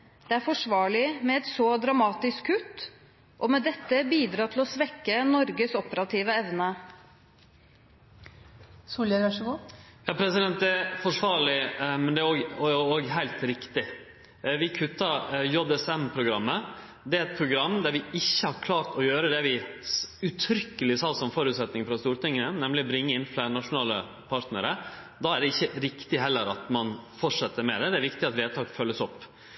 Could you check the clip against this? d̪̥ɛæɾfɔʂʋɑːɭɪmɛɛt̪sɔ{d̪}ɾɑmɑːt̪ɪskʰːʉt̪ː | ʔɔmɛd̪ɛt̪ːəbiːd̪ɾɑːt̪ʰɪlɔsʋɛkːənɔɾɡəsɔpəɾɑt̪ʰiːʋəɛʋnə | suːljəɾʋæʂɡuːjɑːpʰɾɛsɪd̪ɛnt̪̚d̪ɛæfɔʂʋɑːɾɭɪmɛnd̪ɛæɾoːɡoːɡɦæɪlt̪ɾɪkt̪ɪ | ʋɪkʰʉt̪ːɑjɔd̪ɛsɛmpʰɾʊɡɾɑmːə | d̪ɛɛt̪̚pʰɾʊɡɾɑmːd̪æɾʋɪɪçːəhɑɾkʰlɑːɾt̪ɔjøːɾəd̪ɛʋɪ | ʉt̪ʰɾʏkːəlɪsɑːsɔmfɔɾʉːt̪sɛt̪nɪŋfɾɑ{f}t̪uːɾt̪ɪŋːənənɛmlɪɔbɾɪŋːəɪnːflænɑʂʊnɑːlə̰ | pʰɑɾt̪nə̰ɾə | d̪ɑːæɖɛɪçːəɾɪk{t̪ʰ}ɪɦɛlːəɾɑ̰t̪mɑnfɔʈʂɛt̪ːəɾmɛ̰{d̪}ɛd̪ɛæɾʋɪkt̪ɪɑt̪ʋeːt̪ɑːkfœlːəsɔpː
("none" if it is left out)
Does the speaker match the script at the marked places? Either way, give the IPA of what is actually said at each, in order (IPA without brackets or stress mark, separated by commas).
d̪, s, t̪, d̪